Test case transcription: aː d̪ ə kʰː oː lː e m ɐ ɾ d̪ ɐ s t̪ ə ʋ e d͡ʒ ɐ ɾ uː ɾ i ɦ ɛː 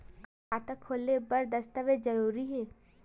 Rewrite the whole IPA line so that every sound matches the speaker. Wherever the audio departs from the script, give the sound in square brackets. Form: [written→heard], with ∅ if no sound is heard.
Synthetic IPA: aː [d̪→t̪] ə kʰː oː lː e [m→b] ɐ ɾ d̪ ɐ s t̪ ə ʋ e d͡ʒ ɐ ɾ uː ɾ i ɦ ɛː